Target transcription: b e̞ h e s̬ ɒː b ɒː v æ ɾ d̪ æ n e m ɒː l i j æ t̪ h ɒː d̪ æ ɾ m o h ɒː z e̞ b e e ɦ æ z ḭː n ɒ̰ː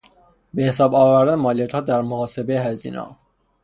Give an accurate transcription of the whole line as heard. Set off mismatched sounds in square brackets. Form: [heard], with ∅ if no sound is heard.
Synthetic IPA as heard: b e̞ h e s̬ ɒː b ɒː v æ ɾ d̪ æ n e m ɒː l i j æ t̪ h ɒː d̪ æ ɾ m o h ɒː [s] e̞ b e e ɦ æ z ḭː n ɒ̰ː